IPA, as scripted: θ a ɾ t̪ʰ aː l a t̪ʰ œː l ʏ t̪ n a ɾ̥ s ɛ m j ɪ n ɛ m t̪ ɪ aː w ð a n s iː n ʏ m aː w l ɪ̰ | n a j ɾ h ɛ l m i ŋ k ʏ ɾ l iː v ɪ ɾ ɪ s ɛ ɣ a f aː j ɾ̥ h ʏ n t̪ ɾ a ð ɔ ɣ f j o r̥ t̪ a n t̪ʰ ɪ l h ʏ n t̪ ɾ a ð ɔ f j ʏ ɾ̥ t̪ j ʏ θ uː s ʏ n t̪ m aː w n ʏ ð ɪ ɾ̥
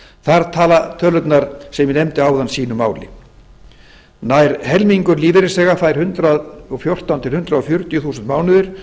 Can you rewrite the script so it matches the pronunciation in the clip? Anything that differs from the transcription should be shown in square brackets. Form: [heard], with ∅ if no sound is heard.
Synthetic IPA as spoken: θ a ɾ t̪ʰ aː l a t̪ʰ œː l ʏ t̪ n a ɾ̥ s ɛ m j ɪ n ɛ m t̪ ɪ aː w ð a n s iː n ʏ m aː w l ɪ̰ | n a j ɾ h ɛ l m i ŋ k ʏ ɾ l iː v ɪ ɾ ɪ s ɛ ɣ a f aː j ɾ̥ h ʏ n t̪ ɾ a ð ɔ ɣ f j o r̥ t̪ a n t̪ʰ ɪ l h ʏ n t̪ ɾ a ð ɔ f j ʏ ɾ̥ t̪ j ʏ θ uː s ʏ n t̪ m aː w n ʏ ð ɪ ɾ̥